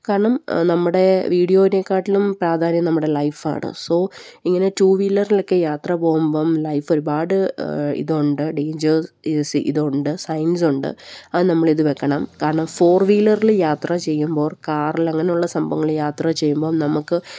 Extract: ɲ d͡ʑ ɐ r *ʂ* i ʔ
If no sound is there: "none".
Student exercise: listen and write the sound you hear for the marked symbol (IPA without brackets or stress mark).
s